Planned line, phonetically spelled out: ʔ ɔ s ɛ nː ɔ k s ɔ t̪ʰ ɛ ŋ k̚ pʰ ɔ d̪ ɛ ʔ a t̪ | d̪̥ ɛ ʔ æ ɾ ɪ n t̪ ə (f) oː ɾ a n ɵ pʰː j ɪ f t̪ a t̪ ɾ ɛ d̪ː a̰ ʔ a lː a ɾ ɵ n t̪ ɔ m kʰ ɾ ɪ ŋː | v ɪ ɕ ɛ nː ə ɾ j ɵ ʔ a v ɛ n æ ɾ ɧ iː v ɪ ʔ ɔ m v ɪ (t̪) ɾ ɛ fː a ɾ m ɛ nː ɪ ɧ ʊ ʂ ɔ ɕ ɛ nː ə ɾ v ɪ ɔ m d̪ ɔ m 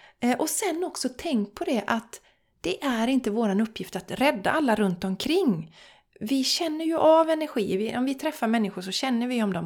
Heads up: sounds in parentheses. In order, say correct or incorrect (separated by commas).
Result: incorrect, incorrect